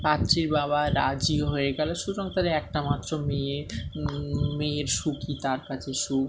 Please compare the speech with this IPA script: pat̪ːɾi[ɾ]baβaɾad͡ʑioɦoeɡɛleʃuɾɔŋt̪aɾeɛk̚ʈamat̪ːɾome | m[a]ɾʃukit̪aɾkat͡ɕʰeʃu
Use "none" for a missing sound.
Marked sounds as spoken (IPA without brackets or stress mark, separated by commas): ɾ, e